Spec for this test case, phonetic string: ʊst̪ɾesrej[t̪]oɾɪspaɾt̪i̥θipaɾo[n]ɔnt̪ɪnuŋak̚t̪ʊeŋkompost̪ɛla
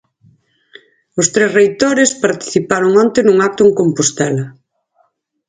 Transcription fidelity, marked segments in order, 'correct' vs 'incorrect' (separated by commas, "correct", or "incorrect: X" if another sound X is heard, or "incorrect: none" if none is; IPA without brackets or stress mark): correct, incorrect: ŋ